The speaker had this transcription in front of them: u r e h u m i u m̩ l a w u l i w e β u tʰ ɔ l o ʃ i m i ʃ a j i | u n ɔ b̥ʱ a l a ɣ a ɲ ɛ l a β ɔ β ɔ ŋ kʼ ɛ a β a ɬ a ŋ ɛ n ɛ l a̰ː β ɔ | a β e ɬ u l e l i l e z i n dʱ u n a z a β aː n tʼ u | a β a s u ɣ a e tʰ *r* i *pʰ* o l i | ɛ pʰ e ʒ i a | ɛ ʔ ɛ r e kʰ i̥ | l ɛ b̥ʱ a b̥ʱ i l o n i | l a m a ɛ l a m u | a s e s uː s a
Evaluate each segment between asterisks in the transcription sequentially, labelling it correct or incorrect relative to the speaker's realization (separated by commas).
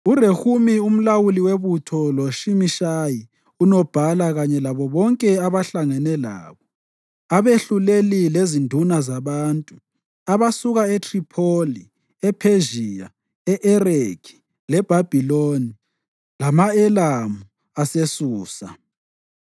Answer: correct, correct